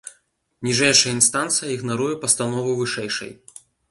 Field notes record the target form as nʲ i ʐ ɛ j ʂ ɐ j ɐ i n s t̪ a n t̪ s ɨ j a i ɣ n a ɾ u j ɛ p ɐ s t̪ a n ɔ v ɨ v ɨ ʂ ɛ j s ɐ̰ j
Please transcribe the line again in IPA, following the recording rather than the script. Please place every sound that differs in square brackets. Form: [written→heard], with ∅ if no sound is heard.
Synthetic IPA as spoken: nʲ i ʐ ɛ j ʂ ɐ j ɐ i n s t̪ a n t̪ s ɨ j [a→ɐ] i ɣ n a ɾ u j ɛ p ɐ s t̪ a n ɔ v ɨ v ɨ ʂ ɛ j [s→ʂ] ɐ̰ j